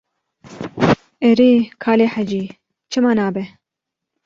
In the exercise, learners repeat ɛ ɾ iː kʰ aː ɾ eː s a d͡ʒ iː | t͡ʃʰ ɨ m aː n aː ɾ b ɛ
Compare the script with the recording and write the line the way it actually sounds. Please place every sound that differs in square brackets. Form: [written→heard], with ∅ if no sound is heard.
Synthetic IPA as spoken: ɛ ɾ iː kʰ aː [ɾ→l] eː [s→ħ] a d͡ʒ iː | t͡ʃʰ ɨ m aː n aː [ɾ→∅] b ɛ